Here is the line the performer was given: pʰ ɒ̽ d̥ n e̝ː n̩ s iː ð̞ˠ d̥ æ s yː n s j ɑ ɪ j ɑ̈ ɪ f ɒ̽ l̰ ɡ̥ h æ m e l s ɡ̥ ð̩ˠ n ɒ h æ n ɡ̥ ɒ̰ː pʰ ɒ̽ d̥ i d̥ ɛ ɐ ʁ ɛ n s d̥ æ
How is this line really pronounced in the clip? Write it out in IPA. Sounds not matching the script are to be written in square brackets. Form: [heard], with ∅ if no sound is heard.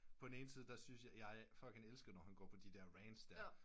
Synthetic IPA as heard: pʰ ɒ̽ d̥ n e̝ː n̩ s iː ð̞ˠ d̥ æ s [y] n s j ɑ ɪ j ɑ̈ ɪ f ɒ̽ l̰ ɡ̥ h æ [n] e l s ɡ̥ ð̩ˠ n ɒ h æ n ɡ̥ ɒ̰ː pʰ ɒ̽ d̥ i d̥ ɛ ɐ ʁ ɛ n s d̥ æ